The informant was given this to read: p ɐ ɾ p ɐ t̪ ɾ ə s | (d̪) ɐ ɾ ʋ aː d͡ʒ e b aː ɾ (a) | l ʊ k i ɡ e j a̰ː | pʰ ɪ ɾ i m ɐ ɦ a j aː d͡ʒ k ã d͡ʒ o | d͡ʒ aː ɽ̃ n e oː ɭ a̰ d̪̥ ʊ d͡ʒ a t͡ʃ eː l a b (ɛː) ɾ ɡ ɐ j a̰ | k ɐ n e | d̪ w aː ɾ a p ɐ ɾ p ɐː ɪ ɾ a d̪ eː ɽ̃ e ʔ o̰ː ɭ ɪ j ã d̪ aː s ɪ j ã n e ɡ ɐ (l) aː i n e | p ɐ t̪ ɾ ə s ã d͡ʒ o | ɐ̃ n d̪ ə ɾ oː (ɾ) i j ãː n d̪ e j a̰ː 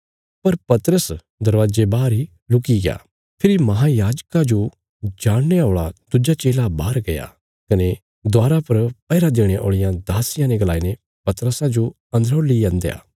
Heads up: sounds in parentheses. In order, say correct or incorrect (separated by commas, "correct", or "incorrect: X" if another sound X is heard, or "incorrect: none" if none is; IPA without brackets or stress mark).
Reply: correct, incorrect: i, incorrect: aː, correct, incorrect: l